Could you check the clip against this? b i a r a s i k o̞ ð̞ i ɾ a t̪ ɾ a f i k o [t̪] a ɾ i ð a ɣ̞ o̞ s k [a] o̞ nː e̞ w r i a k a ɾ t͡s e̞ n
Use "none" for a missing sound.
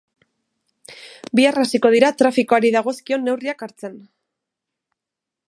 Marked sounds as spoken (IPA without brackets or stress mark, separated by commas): none, i